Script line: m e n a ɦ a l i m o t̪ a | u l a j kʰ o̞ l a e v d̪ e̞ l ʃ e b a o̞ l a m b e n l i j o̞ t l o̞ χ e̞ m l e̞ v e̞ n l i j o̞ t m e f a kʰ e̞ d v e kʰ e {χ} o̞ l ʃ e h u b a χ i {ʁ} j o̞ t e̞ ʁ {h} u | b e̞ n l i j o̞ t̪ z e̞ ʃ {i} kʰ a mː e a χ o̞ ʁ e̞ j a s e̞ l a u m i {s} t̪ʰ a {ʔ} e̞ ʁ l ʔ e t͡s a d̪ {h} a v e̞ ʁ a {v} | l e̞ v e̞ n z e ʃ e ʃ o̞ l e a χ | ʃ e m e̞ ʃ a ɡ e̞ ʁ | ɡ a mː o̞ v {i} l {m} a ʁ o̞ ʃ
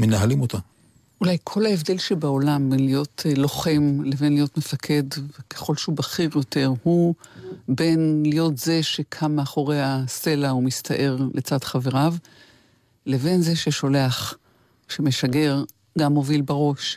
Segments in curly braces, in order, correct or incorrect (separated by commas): correct, correct, correct, incorrect, correct, correct, incorrect, correct, correct, incorrect